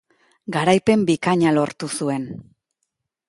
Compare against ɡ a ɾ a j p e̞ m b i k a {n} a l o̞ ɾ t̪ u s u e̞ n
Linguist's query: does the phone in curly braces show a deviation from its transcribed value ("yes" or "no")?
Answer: yes